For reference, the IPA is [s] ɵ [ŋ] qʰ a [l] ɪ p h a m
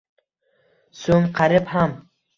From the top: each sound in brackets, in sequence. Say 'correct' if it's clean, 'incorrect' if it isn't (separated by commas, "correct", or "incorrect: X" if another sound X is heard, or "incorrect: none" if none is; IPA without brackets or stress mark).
correct, correct, incorrect: ɾ